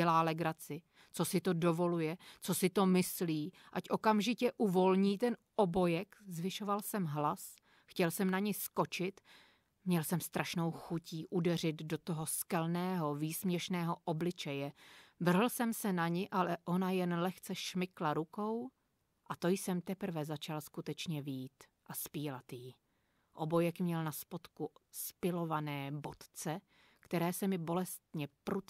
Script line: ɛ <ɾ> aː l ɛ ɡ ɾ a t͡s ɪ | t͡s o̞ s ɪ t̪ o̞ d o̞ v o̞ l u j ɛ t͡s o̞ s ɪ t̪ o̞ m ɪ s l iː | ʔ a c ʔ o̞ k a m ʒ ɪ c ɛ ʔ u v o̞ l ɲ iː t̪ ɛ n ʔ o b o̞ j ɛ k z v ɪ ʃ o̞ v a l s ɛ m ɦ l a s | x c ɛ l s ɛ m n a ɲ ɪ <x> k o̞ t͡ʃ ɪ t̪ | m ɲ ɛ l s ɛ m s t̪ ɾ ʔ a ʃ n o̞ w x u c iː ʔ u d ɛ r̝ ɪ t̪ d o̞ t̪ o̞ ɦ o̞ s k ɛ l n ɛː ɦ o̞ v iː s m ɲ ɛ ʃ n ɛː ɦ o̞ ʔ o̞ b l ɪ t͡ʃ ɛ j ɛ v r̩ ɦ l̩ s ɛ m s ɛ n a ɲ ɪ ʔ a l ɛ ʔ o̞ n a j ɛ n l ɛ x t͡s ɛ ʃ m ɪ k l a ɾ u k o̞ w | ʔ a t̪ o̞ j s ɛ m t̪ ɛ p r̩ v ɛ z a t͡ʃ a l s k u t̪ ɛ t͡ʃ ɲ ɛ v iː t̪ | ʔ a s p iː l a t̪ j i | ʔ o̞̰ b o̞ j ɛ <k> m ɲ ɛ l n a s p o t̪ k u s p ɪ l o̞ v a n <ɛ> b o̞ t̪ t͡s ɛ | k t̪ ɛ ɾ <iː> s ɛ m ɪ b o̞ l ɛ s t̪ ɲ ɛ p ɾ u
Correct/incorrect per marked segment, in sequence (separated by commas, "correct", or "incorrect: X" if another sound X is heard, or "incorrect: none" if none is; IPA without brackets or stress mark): incorrect: l, incorrect: s, correct, incorrect: ɛː, incorrect: ɛː